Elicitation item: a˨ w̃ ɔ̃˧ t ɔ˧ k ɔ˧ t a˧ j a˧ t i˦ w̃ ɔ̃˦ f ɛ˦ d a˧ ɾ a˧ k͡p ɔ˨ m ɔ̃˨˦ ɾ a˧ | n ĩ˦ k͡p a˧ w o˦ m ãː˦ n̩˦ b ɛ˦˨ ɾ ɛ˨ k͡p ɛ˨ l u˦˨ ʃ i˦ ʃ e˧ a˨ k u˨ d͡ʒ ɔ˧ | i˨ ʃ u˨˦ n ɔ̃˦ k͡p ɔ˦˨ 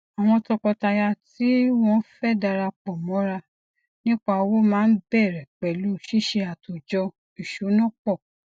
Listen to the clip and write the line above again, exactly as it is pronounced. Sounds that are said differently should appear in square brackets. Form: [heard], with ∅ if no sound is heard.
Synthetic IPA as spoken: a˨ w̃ ɔ̃˧ t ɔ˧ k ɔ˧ t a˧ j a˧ t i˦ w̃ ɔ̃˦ f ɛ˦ d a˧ ɾ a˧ k͡p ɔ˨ m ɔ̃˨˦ ɾ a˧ | n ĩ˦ k͡p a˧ w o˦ m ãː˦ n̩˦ b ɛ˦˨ ɾ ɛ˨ k͡p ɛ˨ l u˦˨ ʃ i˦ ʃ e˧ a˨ [t] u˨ d͡ʒ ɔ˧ | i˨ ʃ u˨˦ n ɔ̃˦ k͡p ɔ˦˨